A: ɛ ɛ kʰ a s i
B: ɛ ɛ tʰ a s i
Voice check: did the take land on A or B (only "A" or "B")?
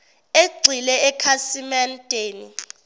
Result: A